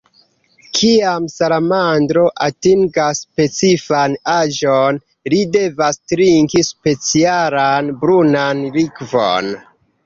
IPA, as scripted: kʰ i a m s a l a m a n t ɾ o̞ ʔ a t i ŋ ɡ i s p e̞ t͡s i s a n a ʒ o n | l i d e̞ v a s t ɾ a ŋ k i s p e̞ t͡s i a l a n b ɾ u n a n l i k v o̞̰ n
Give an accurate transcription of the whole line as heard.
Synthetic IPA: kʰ i a m s a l a m a n d ɾ o̞ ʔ a t i ŋ ɡ a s p e̞ t͡s i f a n a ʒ o n | l i d e̞ v a s t ɾ i ŋ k i s p e̞ t͡s i a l a n b ɾ u n a n l i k v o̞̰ n